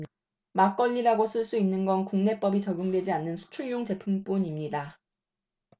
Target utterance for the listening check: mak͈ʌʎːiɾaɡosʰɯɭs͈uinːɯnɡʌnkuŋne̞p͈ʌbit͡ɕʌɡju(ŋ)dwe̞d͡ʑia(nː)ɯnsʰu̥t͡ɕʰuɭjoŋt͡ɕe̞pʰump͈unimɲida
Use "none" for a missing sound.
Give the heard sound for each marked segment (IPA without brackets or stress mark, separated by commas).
ŋ, nː